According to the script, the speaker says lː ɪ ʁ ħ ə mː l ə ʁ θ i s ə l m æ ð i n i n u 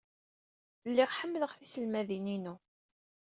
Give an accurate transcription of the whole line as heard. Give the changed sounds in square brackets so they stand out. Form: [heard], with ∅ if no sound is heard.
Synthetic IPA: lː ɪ ʁ ħ ə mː l ə ʁ θ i s ə l m æ ð i n i n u